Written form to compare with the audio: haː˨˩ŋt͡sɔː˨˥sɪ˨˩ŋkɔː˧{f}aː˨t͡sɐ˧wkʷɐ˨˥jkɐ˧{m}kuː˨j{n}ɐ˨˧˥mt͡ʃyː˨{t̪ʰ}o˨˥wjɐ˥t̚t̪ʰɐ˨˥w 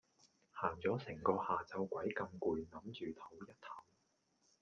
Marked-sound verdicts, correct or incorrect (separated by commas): incorrect, correct, correct, correct